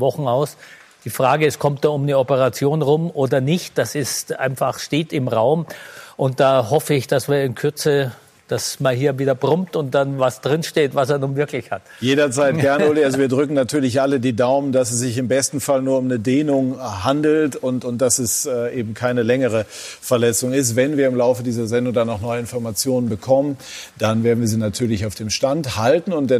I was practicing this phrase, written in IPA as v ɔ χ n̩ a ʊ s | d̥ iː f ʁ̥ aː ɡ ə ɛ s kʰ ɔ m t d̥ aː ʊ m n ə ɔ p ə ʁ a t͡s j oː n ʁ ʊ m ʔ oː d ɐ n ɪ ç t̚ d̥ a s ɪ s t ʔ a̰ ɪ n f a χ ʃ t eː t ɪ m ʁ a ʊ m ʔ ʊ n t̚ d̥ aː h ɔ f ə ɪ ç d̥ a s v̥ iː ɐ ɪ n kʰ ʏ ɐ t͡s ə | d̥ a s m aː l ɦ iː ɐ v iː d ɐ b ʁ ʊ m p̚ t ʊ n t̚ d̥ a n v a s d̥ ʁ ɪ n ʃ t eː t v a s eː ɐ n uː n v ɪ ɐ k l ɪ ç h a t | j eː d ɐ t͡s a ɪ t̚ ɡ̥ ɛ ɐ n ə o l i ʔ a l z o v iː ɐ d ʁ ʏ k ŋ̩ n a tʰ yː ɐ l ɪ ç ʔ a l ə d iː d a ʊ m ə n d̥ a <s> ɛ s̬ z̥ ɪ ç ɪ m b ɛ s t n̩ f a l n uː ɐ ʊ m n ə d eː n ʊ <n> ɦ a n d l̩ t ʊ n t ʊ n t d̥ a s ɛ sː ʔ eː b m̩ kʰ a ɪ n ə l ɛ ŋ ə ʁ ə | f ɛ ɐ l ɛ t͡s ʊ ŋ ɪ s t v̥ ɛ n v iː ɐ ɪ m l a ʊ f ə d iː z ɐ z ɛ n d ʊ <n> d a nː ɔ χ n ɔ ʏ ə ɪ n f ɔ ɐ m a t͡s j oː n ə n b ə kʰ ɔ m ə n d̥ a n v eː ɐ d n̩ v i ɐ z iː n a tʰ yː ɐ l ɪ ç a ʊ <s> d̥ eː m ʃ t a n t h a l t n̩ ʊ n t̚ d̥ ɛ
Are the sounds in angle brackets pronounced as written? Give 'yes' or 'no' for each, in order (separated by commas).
yes, no, no, no